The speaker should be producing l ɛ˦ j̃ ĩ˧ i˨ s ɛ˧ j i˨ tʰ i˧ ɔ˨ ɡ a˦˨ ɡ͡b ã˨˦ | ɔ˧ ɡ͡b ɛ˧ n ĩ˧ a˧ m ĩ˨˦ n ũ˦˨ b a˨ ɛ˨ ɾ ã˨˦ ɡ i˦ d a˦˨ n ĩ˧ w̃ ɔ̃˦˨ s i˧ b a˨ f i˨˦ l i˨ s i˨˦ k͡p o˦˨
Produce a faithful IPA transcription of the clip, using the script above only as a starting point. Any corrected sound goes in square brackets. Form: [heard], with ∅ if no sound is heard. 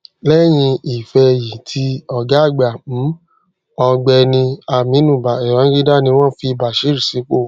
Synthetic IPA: l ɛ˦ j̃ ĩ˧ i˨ [f] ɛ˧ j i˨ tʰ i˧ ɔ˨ ɡ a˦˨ ɡ͡b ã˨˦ | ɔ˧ ɡ͡b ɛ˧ n ĩ˧ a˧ m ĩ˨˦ n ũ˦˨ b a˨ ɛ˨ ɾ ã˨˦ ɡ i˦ d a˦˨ n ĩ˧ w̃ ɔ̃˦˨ [f] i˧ b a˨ [ʃ] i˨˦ [ɾ] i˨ s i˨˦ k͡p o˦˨